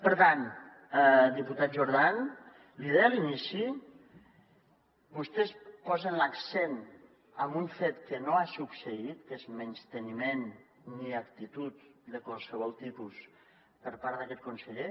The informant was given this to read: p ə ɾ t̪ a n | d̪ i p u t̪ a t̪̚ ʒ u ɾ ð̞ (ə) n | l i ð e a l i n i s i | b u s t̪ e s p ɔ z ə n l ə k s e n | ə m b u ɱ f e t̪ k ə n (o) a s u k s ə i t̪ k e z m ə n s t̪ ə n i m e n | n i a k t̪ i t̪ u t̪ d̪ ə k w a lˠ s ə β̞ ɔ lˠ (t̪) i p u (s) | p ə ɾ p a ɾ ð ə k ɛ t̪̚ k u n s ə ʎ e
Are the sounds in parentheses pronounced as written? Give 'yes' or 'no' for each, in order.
no, yes, yes, yes

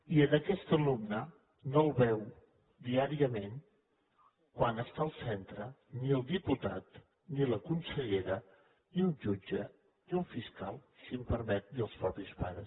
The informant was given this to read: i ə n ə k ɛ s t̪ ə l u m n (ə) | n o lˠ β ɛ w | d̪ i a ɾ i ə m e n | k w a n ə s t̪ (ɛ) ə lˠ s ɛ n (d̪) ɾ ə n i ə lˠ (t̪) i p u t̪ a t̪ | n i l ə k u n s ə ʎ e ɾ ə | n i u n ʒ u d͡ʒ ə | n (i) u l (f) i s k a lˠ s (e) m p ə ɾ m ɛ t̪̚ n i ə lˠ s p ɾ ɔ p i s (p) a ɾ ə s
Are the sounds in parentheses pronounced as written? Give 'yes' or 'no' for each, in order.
yes, no, no, no, yes, yes, no, yes

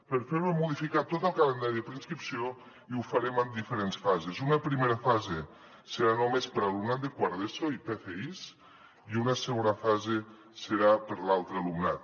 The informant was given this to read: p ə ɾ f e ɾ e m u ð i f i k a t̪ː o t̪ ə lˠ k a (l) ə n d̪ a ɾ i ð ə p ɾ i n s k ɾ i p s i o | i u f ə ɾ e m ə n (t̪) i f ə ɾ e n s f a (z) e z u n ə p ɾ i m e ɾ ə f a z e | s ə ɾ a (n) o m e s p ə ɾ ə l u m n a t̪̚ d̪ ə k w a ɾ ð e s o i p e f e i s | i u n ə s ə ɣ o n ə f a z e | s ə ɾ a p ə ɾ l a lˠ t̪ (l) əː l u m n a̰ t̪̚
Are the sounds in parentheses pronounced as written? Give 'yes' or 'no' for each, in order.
yes, no, yes, yes, no

